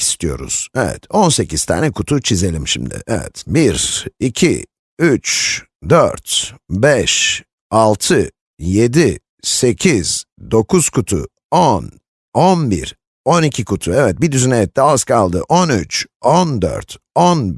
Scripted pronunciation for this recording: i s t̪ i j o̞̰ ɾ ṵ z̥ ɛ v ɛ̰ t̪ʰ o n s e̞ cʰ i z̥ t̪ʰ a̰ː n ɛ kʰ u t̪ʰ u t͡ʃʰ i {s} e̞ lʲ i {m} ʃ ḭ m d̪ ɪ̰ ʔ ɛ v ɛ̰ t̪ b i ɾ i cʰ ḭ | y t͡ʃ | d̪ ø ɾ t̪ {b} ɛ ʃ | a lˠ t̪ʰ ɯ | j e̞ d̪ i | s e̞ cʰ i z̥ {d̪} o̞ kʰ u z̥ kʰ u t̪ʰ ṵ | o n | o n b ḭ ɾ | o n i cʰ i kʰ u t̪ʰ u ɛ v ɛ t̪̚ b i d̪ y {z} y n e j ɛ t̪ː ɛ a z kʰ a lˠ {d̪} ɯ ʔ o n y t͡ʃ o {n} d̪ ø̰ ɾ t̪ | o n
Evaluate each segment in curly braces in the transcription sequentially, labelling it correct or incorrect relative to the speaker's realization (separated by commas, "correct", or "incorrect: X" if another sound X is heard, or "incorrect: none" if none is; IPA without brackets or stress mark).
incorrect: z, correct, correct, correct, correct, correct, correct